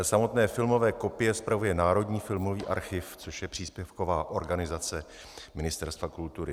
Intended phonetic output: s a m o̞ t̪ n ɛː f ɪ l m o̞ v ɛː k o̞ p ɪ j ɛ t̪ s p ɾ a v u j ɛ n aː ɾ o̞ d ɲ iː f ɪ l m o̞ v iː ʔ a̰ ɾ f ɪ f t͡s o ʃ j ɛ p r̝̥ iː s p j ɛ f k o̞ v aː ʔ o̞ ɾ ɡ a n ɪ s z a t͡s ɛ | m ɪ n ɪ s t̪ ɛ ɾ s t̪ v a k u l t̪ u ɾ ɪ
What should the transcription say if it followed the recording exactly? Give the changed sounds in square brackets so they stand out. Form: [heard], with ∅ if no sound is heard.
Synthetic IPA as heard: s a m o̞ t̪ n ɛː f ɪ l m o̞ v ɛː k o̞ p ɪ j ɛ [∅] s p ɾ a v u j ɛ n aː ɾ o̞ d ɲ iː f ɪ l m o̞ v iː ʔ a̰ ɾ [x] ɪ f t͡s o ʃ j ɛ p r̝̥ iː s p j ɛ f k o̞ v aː ʔ o̞ ɾ ɡ a n ɪ [∅] z a t͡s ɛ | m ɪ n ɪ s t̪ ɛ ɾ s t̪ v a k u l t̪ u ɾ ɪ